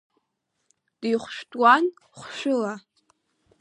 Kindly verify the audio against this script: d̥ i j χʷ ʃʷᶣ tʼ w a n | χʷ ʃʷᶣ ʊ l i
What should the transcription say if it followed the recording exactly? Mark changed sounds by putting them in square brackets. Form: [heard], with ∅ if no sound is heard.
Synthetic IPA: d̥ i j χʷ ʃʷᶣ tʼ w a n | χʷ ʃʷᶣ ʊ l [a]